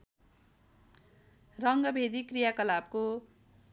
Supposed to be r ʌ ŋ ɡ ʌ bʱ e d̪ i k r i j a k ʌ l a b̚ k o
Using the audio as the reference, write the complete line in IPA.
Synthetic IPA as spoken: r ʌ ŋ ɡ ʌ bʱ e d̪ i k r i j a k ʌ l a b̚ k o